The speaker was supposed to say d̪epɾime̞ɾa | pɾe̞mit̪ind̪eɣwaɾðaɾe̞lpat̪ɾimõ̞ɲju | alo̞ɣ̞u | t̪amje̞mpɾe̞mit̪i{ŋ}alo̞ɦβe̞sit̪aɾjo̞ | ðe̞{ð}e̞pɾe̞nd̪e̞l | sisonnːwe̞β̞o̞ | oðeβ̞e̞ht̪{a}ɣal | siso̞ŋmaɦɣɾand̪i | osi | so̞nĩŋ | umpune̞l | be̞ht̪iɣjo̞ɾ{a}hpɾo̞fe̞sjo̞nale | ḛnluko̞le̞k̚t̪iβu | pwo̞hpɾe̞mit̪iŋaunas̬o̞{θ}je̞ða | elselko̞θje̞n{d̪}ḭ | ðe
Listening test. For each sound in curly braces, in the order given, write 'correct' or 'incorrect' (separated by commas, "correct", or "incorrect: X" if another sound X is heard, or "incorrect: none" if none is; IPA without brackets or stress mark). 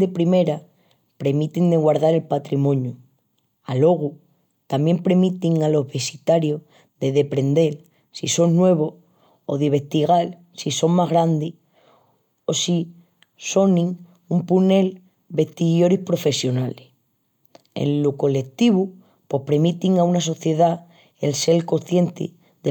correct, correct, incorrect: i, incorrect: i, correct, incorrect: t̪